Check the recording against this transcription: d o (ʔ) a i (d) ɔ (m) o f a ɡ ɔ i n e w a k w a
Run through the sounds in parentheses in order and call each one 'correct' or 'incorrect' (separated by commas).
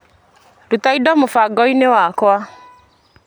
incorrect, correct, correct